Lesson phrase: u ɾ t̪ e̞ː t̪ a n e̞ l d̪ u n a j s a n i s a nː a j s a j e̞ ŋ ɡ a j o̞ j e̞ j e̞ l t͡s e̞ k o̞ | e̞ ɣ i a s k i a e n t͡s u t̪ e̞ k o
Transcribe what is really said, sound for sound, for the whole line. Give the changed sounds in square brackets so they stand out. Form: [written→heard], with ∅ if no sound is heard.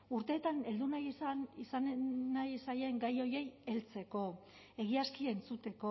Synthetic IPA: u ɾ t̪ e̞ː t̪ a n e̞ l d̪ u n a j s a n i s a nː a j s a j e̞ ŋ ɡ a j o̞ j e̞ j e̞ l t͡s e̞ k o̞ | e̞ ɣ i a s k i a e n t͡s u t̪ e̞ k o